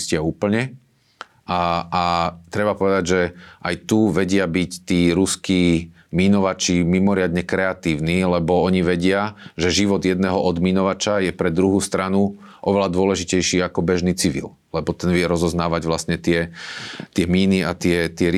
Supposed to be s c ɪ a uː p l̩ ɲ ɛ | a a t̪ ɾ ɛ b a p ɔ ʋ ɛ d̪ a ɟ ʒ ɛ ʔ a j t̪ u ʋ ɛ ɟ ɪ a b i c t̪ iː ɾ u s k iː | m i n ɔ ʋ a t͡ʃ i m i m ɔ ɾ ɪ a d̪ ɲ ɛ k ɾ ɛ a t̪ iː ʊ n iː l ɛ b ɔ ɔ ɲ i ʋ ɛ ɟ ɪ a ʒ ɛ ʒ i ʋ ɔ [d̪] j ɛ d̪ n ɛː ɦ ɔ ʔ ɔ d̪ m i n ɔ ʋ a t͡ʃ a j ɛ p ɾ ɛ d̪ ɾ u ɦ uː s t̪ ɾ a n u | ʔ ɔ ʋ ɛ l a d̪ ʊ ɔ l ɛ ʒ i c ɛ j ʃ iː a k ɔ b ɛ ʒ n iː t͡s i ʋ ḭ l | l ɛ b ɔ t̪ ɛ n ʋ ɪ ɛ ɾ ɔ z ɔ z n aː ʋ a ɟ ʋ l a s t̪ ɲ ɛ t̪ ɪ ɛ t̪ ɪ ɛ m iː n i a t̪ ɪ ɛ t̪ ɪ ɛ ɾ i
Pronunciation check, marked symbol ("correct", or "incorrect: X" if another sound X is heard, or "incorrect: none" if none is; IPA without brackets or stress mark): correct